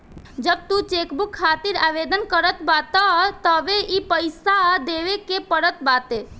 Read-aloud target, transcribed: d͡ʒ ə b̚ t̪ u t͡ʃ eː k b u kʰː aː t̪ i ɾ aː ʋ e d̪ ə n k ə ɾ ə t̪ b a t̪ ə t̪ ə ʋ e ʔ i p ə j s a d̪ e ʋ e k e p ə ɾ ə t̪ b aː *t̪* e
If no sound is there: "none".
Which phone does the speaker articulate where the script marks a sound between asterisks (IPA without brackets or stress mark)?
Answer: t̪